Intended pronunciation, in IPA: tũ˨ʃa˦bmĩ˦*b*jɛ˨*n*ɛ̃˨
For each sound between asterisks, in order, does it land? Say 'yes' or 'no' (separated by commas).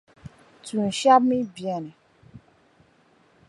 yes, yes